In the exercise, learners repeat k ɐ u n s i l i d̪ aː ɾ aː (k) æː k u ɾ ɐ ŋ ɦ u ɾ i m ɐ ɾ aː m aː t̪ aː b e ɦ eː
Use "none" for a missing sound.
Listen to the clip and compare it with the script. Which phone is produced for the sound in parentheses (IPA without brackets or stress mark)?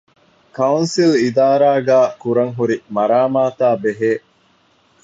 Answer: ɡ